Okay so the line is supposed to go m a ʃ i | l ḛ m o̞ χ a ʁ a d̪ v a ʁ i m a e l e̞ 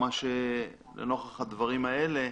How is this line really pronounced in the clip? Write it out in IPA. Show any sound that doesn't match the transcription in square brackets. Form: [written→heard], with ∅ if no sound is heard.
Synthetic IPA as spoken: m a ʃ [i→e] | l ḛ [m→n] o̞ χ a [ʁ→χ] a d̪ v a ʁ i m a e l e̞